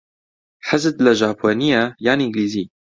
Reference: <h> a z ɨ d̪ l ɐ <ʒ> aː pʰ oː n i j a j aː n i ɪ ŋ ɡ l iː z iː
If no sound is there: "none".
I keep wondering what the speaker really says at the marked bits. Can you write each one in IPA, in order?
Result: ħ, ʒ

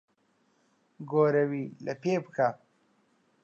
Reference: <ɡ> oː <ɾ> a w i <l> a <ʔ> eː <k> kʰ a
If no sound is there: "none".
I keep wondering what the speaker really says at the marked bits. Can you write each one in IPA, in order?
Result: ɡ, ɾ, l, p, p

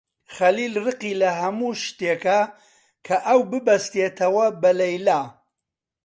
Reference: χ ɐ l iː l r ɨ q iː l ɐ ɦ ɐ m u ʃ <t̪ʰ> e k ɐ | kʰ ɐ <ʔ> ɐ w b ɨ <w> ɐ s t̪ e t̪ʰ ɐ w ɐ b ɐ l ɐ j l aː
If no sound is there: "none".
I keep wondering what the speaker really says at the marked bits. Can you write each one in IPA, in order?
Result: t̪, ʔ, b

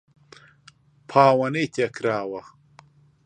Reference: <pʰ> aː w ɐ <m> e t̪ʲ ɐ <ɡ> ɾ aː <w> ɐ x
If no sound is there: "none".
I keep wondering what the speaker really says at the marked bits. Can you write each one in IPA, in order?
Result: pʰ, n, k, w

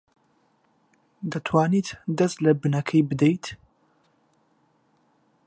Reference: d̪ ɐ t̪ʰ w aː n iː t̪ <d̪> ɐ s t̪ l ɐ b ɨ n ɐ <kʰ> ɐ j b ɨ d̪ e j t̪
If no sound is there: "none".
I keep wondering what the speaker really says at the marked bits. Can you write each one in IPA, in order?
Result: d̪, kʰ

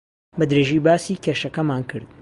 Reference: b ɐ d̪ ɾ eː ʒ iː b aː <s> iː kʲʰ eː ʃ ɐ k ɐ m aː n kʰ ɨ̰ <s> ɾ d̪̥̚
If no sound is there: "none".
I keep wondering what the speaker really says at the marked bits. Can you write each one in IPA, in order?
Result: s, none

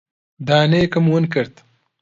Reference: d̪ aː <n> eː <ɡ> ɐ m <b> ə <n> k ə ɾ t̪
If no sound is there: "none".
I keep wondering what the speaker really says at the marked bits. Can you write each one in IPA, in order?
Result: n, k, w, n

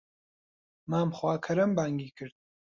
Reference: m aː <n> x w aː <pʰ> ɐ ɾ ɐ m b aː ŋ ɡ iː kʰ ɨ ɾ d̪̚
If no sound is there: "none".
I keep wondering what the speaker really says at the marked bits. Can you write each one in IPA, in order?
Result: m, kʰ

